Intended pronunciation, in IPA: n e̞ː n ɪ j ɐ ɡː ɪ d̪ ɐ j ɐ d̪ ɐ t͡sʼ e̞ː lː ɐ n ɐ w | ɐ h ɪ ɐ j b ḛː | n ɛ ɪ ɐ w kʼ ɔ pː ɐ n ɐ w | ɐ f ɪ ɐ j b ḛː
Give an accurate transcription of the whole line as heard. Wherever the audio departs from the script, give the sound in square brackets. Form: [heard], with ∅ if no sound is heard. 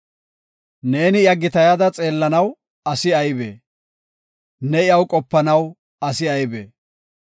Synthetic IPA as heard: n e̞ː n ɪ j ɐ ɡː ɪ [t̪] ɐ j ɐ d̪ ɐ t͡sʼ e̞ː lː ɐ n ɐ w | ɐ [s] ɪ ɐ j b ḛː | n ɛ ɪ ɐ w kʼ ɔ pː ɐ n ɐ w | ɐ [s] ɪ ɐ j b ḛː